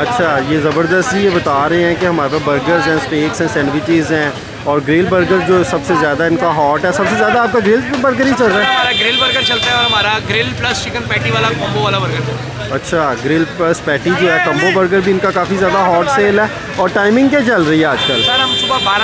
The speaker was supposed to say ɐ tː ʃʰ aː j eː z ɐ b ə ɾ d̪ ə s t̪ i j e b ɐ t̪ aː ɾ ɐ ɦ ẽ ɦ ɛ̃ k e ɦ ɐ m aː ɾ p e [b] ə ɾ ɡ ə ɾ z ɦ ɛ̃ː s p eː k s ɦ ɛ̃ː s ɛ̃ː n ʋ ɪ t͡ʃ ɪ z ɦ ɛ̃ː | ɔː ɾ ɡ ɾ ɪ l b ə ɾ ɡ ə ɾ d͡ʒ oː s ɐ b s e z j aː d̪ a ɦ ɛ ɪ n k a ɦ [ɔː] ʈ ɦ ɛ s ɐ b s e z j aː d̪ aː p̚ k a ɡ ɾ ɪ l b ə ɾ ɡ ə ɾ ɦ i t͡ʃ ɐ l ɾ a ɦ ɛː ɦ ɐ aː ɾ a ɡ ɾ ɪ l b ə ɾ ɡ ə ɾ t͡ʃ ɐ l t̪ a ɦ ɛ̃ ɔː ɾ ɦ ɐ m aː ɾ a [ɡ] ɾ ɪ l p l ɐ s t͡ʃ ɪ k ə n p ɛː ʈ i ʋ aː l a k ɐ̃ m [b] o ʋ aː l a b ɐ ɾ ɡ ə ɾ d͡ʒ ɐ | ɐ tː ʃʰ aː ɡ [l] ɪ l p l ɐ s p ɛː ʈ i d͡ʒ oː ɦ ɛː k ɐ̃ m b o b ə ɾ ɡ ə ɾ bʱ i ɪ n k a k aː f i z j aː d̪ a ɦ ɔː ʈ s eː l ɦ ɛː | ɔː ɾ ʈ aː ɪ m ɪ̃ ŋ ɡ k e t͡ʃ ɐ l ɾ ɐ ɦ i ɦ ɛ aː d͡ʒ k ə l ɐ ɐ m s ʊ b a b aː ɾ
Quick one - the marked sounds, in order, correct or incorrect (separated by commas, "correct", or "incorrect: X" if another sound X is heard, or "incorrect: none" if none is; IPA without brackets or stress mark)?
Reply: correct, correct, correct, correct, incorrect: ɾ